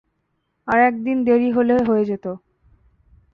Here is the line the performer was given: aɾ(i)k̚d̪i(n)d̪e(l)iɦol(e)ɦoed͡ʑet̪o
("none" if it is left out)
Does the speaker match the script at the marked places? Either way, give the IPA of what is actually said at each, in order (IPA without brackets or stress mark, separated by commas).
ɛ, n, ɾ, e